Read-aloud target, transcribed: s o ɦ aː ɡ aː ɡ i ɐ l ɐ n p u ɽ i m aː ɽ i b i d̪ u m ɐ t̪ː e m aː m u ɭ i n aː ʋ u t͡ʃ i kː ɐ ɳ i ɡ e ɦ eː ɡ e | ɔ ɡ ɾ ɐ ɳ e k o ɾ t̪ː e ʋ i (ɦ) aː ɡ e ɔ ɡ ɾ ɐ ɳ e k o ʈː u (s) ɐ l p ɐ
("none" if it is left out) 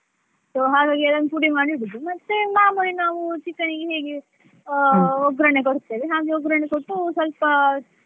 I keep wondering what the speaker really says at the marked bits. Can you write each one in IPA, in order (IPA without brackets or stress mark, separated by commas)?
ɦ, s